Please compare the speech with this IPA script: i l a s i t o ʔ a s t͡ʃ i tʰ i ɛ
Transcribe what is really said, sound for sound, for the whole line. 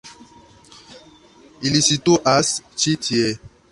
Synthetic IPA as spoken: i l i s i t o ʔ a s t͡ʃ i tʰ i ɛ